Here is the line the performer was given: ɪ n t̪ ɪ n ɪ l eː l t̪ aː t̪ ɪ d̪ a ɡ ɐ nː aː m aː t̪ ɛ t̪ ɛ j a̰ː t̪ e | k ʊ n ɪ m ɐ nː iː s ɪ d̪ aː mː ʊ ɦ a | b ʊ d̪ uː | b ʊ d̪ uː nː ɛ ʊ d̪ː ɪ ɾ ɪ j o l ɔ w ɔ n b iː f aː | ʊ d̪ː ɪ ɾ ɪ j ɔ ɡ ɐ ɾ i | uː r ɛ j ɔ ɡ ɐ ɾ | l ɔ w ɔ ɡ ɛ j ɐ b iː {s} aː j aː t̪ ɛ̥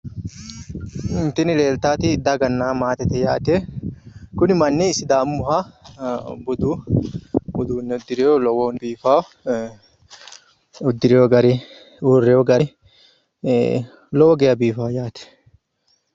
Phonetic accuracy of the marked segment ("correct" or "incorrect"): incorrect